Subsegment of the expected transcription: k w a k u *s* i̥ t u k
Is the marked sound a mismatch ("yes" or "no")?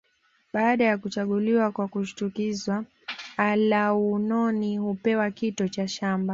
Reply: yes